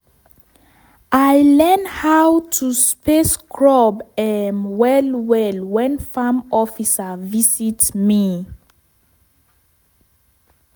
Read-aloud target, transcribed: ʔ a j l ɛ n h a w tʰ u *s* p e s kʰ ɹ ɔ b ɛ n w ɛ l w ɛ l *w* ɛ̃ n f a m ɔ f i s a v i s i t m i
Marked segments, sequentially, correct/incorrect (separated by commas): correct, correct